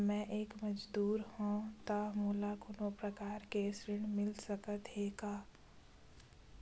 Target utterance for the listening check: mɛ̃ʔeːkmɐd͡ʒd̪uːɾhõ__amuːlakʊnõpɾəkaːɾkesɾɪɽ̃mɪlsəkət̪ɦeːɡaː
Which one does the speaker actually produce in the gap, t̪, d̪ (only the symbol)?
t̪